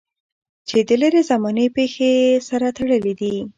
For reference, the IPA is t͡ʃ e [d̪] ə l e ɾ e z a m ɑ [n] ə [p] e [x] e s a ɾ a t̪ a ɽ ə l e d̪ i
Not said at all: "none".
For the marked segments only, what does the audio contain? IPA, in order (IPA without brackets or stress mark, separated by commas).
d̪, n, p, x